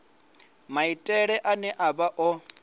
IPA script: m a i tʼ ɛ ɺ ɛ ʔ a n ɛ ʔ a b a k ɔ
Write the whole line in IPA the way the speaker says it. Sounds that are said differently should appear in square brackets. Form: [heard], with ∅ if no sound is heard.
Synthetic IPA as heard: m a i tʼ ɛ ɺ ɛ ʔ a n ɛ ʔ a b a [ʔ] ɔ